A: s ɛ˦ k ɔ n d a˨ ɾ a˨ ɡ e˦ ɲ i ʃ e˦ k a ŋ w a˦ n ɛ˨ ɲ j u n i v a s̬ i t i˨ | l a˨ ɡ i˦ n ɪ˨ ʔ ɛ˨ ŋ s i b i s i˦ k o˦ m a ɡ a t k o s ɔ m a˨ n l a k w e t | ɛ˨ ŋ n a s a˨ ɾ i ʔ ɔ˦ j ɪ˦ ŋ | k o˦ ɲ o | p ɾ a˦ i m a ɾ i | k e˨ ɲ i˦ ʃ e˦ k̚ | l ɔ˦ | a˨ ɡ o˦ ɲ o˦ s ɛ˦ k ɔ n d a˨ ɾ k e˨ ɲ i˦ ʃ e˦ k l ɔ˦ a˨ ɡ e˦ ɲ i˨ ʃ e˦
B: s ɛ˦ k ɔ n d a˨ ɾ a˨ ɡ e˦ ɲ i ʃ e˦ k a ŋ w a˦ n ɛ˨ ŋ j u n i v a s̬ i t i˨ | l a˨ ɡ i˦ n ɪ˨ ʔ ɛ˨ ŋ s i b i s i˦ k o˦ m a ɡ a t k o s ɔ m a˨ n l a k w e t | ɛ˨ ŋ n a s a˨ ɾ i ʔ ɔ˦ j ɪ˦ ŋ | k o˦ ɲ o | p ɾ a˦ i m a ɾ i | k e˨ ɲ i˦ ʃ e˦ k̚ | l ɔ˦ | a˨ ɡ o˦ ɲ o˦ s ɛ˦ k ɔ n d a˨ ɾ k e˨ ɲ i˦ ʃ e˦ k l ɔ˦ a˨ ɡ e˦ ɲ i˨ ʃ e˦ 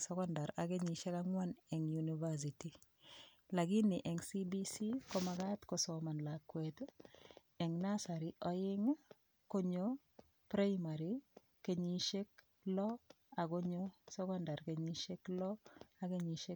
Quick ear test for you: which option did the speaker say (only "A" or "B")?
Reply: B